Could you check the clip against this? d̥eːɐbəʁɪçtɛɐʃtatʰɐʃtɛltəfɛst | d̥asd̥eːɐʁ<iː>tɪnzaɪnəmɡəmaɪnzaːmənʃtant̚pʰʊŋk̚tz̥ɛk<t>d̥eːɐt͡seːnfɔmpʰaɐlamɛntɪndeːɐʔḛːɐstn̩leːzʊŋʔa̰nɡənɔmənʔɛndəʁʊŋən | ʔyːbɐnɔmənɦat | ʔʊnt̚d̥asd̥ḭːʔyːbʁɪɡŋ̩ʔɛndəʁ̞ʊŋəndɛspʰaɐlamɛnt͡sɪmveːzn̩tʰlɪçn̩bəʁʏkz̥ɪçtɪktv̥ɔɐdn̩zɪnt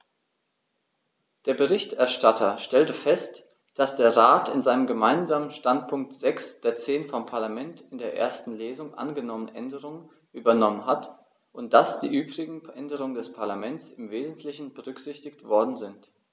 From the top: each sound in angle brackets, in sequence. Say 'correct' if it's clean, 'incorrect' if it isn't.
incorrect, incorrect

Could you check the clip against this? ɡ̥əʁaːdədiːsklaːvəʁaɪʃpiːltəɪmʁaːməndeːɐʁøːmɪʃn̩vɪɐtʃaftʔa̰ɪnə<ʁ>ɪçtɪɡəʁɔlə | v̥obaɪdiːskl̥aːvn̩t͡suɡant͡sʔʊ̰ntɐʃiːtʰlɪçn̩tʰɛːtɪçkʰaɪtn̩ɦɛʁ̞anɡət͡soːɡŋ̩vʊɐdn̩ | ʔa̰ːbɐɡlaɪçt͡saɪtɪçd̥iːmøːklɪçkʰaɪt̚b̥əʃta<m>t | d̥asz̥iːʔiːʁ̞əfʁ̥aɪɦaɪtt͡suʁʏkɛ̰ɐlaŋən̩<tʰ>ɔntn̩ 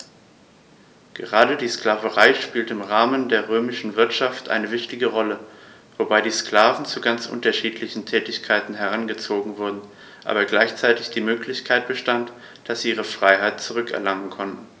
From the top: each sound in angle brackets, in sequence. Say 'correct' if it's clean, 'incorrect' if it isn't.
incorrect, incorrect, incorrect

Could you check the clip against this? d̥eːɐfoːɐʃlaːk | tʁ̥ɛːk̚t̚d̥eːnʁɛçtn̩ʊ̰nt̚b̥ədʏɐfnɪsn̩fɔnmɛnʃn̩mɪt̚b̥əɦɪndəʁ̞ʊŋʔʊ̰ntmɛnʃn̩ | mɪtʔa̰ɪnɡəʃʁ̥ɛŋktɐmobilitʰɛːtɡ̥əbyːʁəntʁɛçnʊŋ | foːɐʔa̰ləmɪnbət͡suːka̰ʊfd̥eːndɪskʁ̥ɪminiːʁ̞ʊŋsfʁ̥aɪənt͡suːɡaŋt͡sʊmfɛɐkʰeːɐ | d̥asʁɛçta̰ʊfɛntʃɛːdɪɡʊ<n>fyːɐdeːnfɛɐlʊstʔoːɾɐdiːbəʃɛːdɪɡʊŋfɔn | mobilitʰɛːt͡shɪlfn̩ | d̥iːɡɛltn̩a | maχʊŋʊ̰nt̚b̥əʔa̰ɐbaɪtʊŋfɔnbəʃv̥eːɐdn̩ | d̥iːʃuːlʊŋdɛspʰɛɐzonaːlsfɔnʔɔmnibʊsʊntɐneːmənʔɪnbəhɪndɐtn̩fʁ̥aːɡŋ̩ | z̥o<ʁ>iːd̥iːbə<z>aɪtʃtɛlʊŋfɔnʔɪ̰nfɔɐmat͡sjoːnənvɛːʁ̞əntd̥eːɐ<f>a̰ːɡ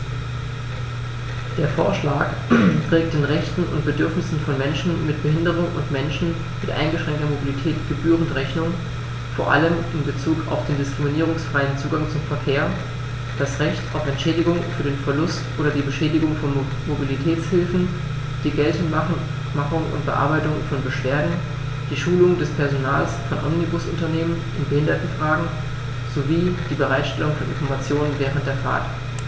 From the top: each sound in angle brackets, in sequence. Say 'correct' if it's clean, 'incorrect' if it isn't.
incorrect, incorrect, incorrect, correct

